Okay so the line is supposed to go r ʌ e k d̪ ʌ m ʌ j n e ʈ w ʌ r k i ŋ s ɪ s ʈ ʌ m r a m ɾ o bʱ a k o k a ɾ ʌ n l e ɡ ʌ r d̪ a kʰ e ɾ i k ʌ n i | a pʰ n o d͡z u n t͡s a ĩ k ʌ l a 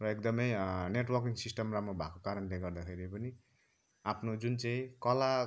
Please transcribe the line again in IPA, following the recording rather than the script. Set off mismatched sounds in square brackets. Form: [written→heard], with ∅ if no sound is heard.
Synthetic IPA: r ʌ e k d̪ ʌ m ʌ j n e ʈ w ʌ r k i ŋ s [ɪ→i] s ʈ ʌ m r a m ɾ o bʱ a k o k a ɾ ʌ n l e ɡ ʌ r d̪ a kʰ e ɾ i [k→p] ʌ n i | a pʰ n o d͡z u n t͡s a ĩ k ʌ l a